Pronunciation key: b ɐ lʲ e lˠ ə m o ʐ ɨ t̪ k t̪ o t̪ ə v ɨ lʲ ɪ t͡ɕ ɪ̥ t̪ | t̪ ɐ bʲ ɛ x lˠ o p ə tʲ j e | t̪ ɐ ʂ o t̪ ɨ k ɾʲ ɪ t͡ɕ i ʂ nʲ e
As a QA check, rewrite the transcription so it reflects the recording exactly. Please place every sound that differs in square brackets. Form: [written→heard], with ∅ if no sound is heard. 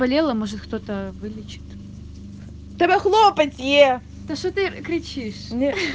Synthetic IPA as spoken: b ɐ lʲ e lˠ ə m o ʐ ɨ t̪ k t̪ o t̪ ə v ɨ lʲ ɪ t͡ɕ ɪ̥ t̪ | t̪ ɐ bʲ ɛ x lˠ o p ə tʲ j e | t̪ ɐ ʂ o t̪ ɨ k ɾʲ ɪ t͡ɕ i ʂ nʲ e